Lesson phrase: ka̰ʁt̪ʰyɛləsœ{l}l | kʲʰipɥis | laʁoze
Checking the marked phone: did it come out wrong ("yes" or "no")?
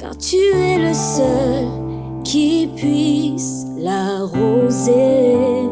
no